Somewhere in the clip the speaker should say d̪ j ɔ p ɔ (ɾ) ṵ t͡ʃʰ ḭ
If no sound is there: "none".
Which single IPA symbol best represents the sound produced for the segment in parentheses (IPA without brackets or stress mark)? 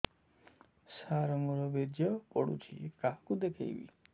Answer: ɽ